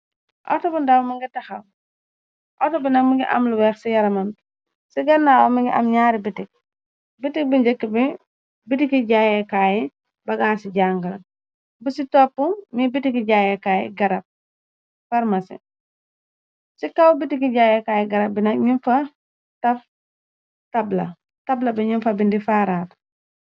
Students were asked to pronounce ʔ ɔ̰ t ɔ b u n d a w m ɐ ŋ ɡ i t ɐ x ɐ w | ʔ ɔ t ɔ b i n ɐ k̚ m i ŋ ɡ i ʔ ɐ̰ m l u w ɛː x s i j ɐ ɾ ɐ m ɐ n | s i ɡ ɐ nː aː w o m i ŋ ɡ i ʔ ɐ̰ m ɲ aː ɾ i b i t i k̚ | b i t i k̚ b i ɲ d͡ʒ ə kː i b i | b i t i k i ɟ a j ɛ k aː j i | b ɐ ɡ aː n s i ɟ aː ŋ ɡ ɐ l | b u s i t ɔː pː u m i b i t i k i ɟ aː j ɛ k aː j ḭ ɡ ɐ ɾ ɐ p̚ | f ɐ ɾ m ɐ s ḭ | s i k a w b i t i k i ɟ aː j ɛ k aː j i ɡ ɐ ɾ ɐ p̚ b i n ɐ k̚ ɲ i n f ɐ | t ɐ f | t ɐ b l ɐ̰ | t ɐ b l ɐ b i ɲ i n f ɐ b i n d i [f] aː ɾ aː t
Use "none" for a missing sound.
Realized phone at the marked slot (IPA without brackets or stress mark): f